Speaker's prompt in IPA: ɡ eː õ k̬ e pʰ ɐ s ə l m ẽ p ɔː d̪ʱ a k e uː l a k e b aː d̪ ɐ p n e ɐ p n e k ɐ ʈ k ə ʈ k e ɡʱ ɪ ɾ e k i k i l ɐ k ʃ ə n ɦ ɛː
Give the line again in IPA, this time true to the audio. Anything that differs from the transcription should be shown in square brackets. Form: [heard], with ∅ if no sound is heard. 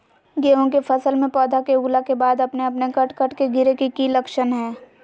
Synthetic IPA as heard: ɡ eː õ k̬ e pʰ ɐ s ə l m ẽ p ɔː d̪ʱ a k e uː l a k e b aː d̪ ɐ p n e ɐ p n e k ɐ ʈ k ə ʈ k e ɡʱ ɪ ɾ e k i k i l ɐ k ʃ ə n ɦ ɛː